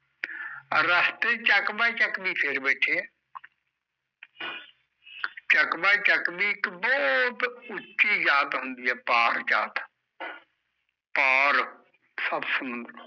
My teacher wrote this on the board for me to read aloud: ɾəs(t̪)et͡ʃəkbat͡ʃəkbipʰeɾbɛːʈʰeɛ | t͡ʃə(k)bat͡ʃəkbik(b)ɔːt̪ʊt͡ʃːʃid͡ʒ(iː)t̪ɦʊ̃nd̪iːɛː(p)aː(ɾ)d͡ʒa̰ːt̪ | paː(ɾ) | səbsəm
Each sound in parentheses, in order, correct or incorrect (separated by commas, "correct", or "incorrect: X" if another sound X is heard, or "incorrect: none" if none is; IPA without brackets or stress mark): correct, correct, correct, incorrect: aː, correct, correct, correct